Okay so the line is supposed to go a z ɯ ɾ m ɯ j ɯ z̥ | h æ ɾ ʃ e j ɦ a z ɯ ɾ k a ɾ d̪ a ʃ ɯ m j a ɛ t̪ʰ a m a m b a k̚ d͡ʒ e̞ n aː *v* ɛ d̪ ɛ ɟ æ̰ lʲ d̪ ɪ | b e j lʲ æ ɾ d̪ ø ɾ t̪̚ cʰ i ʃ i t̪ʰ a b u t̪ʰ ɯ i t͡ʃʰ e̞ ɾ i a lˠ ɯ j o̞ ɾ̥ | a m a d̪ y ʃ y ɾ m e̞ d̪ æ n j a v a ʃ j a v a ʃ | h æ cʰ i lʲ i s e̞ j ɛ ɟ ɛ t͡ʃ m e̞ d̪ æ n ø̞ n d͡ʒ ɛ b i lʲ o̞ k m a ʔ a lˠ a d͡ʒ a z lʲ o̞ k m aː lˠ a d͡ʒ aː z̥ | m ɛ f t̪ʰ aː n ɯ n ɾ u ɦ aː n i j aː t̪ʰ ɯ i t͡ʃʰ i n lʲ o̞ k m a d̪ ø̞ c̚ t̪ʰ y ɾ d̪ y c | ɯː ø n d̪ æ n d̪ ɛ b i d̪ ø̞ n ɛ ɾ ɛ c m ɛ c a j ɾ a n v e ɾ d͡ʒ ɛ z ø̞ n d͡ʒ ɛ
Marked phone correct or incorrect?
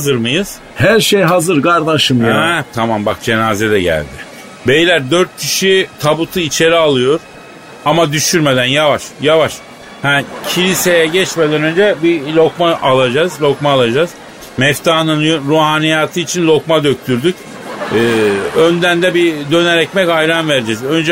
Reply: incorrect